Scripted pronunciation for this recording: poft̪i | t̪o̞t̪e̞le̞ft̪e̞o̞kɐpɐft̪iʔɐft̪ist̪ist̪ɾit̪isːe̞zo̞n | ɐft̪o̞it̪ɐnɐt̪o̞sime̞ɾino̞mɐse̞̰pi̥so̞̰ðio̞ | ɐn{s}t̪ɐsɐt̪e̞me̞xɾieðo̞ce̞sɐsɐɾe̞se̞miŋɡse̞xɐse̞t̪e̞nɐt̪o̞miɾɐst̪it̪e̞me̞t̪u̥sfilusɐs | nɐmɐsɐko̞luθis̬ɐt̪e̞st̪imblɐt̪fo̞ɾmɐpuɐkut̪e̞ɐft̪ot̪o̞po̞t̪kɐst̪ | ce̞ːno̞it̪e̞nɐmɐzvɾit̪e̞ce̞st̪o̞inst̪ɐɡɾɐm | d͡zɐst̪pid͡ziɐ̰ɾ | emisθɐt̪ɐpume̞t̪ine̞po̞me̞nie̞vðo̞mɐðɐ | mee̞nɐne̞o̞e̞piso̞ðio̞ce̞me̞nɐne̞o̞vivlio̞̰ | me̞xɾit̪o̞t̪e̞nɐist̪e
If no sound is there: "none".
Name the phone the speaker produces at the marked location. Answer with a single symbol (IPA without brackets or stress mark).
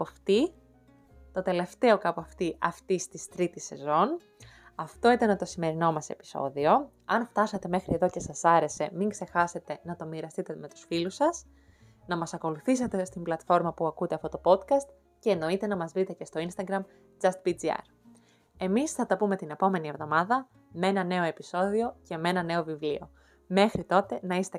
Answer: f